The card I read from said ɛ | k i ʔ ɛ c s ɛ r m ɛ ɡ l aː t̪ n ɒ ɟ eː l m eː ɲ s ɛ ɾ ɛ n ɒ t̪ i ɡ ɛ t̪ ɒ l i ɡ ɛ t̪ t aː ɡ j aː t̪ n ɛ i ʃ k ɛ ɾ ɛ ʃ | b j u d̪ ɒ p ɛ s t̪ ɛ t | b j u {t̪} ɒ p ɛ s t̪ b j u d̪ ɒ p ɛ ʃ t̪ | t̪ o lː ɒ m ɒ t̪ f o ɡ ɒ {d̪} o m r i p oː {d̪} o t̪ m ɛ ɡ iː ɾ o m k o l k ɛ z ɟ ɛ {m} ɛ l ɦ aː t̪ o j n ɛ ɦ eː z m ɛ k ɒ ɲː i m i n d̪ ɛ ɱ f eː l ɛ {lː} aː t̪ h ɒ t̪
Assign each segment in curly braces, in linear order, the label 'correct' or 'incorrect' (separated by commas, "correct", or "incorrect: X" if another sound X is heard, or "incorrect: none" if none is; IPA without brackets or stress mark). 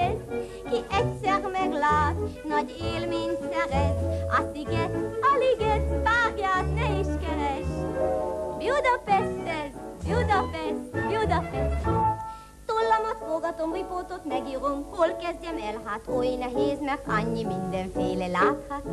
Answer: incorrect: d̪, incorrect: t̪, incorrect: t̪, correct, incorrect: l